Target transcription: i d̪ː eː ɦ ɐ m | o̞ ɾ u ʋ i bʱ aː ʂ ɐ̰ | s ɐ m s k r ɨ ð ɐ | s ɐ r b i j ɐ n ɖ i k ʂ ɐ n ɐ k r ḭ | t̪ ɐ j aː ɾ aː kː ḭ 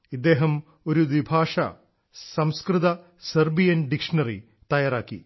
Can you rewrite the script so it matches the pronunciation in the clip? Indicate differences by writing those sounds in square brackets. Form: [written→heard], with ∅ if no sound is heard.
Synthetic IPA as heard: i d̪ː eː ɦ ɐ m | o̞ ɾ u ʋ i bʱ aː ʂ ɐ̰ | s ɐ m s k r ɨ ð ɐ | s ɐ r b i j ɐ n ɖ i k ʂ ɐ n ɐ [k→∅] r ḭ | t̪ ɐ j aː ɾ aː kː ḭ